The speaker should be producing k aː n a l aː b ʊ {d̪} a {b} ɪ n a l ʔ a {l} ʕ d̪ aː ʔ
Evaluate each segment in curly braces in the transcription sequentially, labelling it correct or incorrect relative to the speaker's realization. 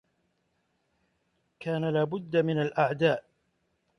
incorrect, incorrect, incorrect

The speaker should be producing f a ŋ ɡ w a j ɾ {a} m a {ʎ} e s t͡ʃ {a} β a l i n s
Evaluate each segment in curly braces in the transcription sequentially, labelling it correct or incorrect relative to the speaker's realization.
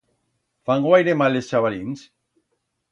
incorrect, incorrect, correct

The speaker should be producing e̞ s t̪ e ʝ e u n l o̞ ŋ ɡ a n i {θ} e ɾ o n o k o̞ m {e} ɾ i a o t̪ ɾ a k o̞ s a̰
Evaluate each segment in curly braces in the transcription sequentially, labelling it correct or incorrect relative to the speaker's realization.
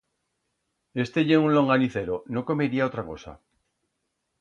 correct, correct

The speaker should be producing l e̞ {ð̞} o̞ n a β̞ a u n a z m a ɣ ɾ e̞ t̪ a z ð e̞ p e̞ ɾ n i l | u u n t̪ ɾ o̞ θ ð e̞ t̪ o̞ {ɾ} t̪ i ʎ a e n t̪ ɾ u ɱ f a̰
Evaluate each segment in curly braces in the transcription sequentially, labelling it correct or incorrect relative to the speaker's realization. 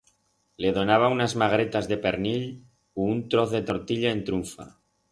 correct, correct

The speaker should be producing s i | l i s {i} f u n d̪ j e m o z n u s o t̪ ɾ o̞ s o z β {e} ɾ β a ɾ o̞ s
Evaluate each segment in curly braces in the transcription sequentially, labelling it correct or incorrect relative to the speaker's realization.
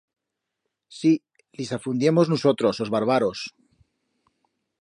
incorrect, incorrect

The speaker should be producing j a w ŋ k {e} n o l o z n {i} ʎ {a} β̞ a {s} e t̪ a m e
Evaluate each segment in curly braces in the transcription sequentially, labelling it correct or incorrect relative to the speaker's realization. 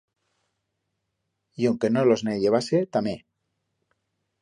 correct, incorrect, incorrect, correct

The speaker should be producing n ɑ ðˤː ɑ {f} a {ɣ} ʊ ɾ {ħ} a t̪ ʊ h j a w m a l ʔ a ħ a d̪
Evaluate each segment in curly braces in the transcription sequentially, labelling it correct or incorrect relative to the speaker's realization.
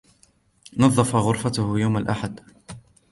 correct, correct, incorrect

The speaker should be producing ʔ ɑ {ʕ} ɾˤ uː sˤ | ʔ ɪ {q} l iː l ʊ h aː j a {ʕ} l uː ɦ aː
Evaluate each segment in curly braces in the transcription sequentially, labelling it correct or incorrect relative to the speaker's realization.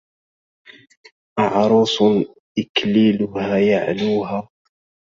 correct, incorrect, correct

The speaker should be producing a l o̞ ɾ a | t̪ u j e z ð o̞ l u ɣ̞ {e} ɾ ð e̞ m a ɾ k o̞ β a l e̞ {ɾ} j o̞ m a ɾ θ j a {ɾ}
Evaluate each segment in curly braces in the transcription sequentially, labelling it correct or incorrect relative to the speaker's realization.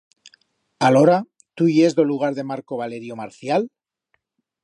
incorrect, correct, incorrect

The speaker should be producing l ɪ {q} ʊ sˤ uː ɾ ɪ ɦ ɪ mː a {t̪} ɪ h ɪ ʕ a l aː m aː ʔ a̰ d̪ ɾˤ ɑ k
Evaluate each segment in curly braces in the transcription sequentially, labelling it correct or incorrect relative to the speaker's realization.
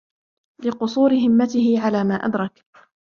correct, correct

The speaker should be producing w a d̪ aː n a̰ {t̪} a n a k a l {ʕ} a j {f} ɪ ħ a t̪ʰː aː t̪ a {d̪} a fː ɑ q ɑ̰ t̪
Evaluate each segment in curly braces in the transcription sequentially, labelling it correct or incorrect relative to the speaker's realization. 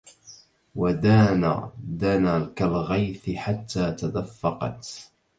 incorrect, incorrect, incorrect, correct

